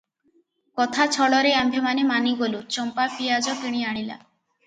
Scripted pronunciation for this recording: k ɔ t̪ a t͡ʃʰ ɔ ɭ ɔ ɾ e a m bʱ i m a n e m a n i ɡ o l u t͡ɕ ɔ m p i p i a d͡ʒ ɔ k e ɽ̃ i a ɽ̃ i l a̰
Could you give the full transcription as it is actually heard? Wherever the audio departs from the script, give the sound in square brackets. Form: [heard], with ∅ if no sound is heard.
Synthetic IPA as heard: k ɔ [t̪ʰ] a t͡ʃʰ ɔ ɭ ɔ ɾ e a m bʱ [e] m a n e m a n i ɡ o l u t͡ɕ ɔ m p [a] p i a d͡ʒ ɔ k [i] ɽ̃ i a ɽ̃ i l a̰

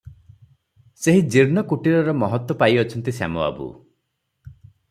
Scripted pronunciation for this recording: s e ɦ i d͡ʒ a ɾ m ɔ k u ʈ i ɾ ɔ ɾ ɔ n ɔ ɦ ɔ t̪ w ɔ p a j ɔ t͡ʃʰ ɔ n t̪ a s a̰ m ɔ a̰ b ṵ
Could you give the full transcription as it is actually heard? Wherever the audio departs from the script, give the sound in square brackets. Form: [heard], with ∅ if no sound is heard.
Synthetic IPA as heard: s e ɦ i d͡ʒ [i] ɾ [n] ɔ k u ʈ i ɾ ɔ ɾ ɔ [m] ɔ ɦ ɔ t̪ w ɔ p a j ɔ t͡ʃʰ ɔ n t̪ [i] s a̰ m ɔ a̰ b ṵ

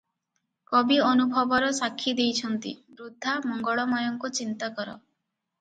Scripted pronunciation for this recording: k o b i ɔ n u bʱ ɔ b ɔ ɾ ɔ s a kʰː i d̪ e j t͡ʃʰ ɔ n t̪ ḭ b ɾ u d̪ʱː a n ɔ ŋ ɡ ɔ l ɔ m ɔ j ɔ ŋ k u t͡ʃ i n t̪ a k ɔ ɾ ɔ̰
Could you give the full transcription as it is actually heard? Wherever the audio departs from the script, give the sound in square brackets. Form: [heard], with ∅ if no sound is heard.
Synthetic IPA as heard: k [ɔ] b i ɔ n u bʱ ɔ b ɔ ɾ ɔ s a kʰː i d̪ e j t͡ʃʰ ɔ n t̪ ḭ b ɾ u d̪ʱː a [m] ɔ ŋ ɡ ɔ [ɭ] ɔ m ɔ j ɔ ŋ k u t͡ʃ i n t̪ a k ɔ ɾ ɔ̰

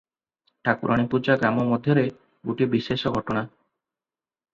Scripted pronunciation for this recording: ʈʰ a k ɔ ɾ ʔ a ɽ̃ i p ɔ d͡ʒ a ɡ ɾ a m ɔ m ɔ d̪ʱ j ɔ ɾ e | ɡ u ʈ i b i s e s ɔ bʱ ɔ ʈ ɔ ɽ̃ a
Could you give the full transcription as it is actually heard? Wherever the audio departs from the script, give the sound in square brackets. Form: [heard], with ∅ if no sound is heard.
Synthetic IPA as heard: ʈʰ a k [u] ɾ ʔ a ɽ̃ i p [u] d͡ʒ a ɡ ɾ a m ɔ m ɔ d̪ʱ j ɔ ɾ e | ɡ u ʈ i b i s e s ɔ [ɡʱ] ɔ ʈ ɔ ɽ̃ a

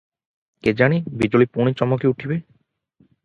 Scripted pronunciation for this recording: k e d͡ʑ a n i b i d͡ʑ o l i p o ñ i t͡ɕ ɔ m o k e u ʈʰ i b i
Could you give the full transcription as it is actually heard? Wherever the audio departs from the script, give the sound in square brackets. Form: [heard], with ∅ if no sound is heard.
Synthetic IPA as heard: k e d͡ʑ a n i b i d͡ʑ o l i p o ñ i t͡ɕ ɔ m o k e u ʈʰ i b [e]

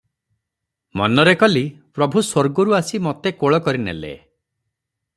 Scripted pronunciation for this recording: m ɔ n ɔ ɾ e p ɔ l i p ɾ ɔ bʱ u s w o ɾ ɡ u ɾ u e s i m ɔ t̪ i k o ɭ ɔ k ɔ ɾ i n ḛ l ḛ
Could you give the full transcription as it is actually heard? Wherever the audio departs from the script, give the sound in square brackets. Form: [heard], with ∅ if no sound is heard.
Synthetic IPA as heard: m ɔ n ɔ ɾ e [k] ɔ l i p ɾ ɔ bʱ u s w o ɾ ɡ [ɔ] ɾ u [a] s i m ɔ t̪ [e] k o ɭ ɔ k ɔ ɾ i n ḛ l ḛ

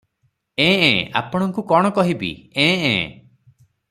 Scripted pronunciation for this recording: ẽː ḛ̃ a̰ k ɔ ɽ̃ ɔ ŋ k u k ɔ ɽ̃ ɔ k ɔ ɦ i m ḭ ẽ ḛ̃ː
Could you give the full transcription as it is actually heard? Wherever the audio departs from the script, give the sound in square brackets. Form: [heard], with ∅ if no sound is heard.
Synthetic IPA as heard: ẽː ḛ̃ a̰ [p] ɔ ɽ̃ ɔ ŋ k u k ɔ ɽ̃ ɔ k ɔ ɦ i [b] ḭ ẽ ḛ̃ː

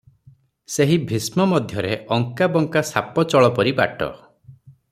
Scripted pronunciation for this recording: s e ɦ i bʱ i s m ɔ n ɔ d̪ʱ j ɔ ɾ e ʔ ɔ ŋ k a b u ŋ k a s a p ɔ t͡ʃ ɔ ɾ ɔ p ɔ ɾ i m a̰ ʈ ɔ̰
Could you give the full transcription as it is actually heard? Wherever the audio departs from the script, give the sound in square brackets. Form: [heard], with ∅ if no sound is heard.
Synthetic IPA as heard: s e ɦ i bʱ i s m ɔ [m] ɔ d̪ʱ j ɔ ɾ e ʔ ɔ ŋ k a b [ɔ] ŋ k a s a p ɔ t͡ʃ ɔ [ɭ] ɔ p ɔ ɾ i [b] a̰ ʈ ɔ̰

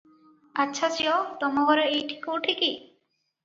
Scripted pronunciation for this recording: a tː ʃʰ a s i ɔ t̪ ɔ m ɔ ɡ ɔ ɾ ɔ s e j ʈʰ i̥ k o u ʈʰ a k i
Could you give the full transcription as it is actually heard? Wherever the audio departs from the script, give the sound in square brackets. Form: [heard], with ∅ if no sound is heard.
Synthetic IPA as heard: a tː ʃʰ a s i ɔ t̪ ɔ m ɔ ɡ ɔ ɾ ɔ [∅] e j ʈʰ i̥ k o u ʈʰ [i] k i

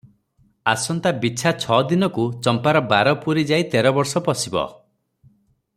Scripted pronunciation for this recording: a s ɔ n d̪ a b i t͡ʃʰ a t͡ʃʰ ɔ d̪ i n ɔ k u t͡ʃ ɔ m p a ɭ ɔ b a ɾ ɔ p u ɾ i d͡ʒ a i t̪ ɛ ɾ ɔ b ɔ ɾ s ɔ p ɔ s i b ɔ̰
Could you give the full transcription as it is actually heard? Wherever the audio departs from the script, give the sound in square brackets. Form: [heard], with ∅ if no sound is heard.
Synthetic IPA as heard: a s ɔ n [t̪] a b i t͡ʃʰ a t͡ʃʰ ɔ d̪ i n ɔ k u t͡ʃ ɔ m p a [ɾ] ɔ b a ɾ ɔ p u ɾ i d͡ʒ a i t̪ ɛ ɾ ɔ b ɔ ɾ s ɔ p ɔ s i b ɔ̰

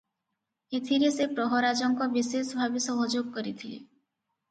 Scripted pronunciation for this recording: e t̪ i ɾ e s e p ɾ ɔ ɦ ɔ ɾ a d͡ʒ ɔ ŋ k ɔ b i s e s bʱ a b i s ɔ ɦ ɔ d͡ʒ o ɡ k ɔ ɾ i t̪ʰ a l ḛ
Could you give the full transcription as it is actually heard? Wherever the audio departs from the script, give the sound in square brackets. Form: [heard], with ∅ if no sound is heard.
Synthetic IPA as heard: e [t̪ʰ] i ɾ e s e p ɾ ɔ ɦ ɔ ɾ a d͡ʒ ɔ ŋ k ɔ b i s e s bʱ a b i s ɔ ɦ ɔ d͡ʒ o ɡ k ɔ ɾ i t̪ʰ [i] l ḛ

